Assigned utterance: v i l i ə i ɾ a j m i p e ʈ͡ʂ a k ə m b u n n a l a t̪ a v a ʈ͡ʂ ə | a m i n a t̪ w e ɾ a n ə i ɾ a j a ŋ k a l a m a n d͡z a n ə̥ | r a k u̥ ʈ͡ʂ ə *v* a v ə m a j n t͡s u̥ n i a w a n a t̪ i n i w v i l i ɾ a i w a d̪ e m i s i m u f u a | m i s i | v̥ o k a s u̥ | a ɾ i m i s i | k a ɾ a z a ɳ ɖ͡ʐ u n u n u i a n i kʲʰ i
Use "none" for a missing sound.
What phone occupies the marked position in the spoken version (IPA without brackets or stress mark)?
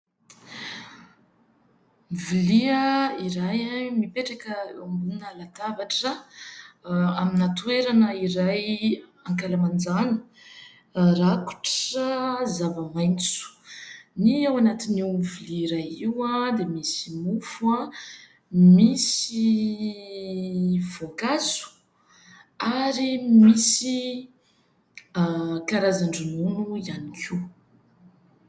z